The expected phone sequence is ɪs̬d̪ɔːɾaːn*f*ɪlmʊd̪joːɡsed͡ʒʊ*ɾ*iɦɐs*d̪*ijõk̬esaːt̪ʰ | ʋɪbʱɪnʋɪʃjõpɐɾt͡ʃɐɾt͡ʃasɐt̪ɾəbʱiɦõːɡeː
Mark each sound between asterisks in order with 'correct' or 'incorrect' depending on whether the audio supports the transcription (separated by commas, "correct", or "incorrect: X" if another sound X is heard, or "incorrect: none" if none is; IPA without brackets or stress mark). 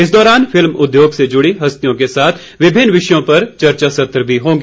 correct, incorrect: ɽ, incorrect: t̪